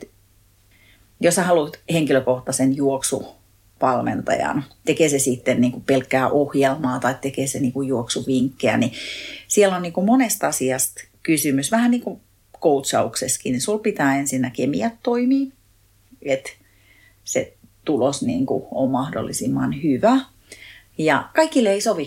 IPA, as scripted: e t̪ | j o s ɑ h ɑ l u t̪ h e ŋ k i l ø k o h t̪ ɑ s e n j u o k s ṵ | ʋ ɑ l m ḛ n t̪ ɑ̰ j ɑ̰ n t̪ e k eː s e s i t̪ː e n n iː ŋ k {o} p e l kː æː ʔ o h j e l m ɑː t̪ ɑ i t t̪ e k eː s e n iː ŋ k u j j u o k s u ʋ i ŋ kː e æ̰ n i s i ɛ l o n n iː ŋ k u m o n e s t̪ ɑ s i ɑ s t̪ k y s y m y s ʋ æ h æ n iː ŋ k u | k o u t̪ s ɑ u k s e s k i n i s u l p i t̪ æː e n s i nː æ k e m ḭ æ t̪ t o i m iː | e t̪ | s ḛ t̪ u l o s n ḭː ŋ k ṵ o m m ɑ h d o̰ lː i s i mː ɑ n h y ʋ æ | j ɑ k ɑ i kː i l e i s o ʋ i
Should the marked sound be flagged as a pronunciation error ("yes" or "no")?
yes